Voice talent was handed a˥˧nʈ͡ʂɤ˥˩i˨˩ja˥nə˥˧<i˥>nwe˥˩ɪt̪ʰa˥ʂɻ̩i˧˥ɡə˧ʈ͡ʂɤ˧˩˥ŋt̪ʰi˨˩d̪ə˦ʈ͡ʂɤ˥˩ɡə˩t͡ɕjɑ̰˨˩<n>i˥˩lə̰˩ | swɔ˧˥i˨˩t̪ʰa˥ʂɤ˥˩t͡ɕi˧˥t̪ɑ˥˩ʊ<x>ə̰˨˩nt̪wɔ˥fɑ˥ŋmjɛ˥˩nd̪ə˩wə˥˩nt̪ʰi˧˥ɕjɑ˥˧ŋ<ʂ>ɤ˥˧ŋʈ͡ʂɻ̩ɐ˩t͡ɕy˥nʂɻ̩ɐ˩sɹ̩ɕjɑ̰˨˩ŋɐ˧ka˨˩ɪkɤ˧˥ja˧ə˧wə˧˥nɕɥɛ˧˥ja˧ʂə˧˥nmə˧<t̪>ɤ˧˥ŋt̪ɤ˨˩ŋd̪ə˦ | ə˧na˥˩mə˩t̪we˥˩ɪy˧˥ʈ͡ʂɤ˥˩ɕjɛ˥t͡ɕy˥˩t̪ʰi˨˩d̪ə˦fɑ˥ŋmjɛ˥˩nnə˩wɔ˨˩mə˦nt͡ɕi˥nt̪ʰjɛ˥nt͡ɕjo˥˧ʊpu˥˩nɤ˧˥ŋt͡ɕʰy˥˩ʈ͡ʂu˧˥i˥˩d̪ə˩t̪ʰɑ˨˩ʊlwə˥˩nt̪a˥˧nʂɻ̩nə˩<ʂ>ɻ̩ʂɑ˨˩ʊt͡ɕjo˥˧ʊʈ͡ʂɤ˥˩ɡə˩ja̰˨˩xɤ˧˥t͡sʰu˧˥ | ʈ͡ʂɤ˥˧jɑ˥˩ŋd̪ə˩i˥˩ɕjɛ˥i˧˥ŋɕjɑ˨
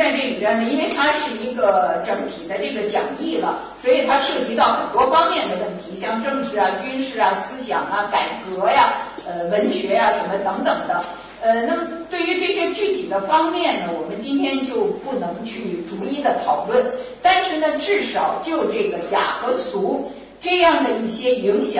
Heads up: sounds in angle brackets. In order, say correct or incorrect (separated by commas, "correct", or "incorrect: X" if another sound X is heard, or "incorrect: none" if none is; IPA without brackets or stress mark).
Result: correct, incorrect: ŋ, correct, incorrect: ʈ͡ʂ, correct, incorrect: ʈ͡ʂ